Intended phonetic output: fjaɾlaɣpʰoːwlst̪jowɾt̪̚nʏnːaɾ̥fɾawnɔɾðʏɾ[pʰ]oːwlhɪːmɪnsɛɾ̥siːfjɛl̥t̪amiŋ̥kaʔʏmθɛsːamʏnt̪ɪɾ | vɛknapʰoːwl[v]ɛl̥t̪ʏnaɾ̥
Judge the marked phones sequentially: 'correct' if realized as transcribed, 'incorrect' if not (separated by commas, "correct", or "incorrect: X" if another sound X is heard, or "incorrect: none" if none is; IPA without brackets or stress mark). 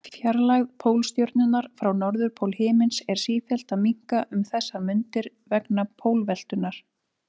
correct, correct